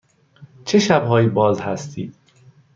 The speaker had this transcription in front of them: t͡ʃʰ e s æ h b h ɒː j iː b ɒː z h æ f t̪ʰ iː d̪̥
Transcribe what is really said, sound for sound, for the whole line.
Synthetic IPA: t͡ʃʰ e ʃ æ b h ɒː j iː b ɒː z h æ s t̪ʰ iː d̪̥